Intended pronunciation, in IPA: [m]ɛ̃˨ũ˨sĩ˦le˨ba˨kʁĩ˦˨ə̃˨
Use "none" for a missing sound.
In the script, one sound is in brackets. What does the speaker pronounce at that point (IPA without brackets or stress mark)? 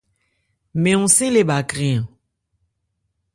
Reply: m